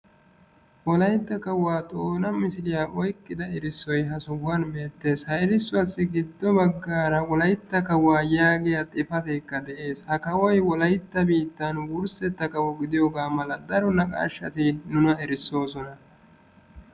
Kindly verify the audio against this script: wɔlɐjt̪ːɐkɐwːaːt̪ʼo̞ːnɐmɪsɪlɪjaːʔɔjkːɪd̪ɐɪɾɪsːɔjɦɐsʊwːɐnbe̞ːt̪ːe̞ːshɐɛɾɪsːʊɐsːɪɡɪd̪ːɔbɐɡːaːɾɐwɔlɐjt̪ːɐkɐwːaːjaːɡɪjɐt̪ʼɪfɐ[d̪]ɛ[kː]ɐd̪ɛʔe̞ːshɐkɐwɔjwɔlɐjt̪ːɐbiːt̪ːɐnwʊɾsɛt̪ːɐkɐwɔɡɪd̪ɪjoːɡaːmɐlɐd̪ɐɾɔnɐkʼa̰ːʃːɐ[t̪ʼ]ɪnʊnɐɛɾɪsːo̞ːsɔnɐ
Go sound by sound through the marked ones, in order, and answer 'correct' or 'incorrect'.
incorrect: t̪, correct, incorrect: t̪

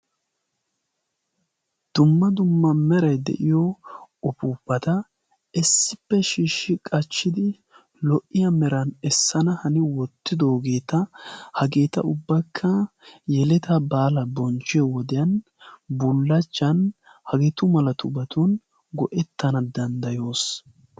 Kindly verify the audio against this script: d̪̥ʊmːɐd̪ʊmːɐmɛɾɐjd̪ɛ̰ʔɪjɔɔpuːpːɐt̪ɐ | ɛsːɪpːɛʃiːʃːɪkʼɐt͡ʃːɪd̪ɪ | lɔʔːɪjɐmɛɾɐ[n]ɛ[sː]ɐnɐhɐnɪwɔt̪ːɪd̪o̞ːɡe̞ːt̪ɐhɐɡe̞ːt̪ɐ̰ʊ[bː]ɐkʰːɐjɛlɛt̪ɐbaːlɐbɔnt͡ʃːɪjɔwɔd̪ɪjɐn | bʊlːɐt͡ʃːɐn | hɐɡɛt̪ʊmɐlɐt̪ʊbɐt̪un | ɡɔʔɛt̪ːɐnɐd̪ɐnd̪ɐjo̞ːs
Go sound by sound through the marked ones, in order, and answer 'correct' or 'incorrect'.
correct, correct, correct

